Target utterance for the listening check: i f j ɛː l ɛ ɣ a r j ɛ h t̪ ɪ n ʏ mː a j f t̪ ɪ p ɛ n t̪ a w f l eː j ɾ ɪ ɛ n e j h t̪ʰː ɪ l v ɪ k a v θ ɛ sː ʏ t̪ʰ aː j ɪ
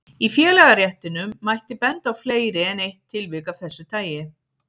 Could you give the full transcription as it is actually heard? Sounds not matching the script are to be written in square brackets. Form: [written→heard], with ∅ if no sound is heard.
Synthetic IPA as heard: i f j ɛː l ɛ ɣ a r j ɛ h t̪ ɪ n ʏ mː a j [f→h] t̪ ɪ p ɛ n t̪ a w f l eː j ɾ ɪ ɛ n e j h t̪ʰː ɪ l v ɪ k a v θ ɛ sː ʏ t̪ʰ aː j ɪ